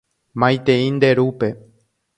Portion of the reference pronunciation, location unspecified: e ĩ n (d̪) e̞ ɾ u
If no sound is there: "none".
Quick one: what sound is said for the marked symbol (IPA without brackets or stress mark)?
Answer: d̪